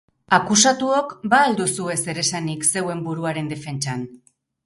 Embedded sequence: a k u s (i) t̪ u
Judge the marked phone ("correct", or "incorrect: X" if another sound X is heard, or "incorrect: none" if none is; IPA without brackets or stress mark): incorrect: a